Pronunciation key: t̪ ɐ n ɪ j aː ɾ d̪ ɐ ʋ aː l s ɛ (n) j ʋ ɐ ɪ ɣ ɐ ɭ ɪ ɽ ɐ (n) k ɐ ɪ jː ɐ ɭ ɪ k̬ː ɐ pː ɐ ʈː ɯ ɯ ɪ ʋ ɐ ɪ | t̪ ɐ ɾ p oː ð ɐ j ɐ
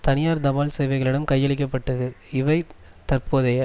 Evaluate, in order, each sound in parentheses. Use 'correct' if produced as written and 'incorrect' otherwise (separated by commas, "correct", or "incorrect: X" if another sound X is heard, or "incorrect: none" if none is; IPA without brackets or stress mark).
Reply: incorrect: none, incorrect: m